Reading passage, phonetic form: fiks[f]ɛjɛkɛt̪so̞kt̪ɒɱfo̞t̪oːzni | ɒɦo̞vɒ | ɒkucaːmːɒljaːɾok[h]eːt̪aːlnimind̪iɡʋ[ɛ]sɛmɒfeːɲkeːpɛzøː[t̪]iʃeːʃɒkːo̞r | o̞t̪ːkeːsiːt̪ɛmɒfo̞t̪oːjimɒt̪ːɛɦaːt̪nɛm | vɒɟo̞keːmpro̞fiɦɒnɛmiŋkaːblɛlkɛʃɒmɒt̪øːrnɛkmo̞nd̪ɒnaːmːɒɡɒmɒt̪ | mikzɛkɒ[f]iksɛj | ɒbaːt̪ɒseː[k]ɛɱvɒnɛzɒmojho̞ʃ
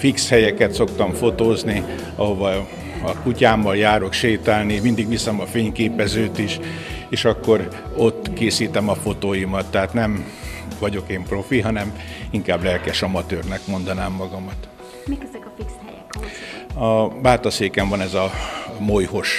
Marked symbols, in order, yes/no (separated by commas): no, no, no, yes, yes, yes